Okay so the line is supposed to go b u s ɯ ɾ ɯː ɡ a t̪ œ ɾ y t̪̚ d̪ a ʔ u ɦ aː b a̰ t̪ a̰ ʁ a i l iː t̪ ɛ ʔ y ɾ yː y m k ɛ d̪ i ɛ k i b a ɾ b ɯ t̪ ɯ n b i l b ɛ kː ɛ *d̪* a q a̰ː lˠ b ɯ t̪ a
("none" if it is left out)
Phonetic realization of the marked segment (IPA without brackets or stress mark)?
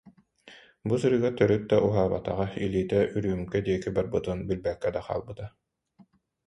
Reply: d̪